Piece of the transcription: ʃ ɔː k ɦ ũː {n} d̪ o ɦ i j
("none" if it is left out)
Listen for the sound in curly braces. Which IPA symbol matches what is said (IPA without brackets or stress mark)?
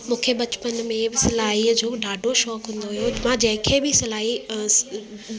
n